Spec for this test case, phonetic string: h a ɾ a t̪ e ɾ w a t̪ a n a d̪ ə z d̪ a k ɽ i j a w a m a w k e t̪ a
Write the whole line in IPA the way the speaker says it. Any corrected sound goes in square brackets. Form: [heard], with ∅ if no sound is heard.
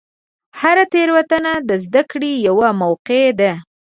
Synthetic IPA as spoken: h a ɾ a t̪ e ɾ w a t̪ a n a d̪ ə z d̪ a k ɽ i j a w a m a w [q] e [d̪] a

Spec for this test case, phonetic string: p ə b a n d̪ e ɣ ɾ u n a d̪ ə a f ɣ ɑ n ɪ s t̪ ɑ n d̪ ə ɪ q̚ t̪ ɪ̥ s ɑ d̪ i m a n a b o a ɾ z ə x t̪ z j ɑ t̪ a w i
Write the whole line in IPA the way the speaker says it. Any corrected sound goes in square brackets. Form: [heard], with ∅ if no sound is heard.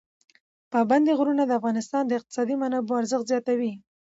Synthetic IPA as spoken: p [ɑ] b a n d̪ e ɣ ɾ u n a d̪ ə a f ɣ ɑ n ɪ s t̪ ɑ n d̪ ə ɪ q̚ t̪ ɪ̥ s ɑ d̪ i m a n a b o a ɾ z ə x t̪ z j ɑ t̪ a w i

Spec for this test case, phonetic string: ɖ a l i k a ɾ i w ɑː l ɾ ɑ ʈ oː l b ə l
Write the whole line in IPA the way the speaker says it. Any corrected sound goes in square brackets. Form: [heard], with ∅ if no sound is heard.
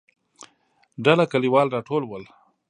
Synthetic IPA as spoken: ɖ a l [a] k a [l] i w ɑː l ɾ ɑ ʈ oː l [w] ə l

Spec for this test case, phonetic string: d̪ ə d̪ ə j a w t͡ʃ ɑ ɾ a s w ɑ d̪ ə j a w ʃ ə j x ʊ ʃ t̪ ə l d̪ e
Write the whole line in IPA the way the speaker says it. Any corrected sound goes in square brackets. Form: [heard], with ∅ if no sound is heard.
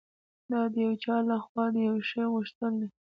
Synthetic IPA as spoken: d̪ [ɑ] d̪ ə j a w t͡ʃ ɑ [l] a [x] w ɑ d̪ ə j a w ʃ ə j [ɣ] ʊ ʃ t̪ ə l d̪ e

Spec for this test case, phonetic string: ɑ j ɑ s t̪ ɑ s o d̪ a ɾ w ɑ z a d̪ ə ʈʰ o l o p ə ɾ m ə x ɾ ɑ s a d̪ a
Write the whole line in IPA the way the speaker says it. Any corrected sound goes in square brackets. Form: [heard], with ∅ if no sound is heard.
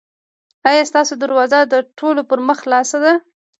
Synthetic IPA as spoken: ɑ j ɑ s t̪ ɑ s o d̪ a ɾ w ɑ z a d̪ ə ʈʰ o l o p ə ɾ m ə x [l] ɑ s a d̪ a

